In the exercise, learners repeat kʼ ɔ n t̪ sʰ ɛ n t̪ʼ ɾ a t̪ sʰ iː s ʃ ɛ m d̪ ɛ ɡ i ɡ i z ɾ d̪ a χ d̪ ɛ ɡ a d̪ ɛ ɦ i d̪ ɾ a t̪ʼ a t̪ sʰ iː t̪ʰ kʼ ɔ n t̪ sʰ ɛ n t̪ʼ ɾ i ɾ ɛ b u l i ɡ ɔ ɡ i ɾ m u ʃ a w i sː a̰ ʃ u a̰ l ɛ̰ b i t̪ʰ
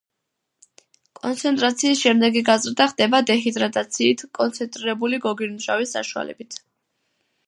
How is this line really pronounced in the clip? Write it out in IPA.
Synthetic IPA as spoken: kʼ ɔ n t̪ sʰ ɛ n t̪ʼ ɾ a t̪ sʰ iː s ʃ ɛ m d̪ ɛ ɡ i ɡ a z ɾ d̪ a χ d̪ ɛ b a d̪ ɛ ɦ i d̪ ɾ a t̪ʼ a t̪ sʰ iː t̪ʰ kʼ ɔ n t̪ sʰ ɛ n t̪ʼ ɾ i ɾ ɛ b u l i ɡ ɔ ɡ i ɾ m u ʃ a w i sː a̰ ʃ u a̰ l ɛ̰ b i t̪ʰ